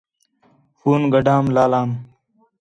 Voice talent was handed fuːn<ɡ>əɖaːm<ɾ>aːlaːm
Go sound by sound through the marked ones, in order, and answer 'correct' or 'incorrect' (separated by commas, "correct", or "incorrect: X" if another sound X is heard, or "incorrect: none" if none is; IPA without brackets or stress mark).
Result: correct, incorrect: l